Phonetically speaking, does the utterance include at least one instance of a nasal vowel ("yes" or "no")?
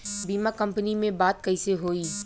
yes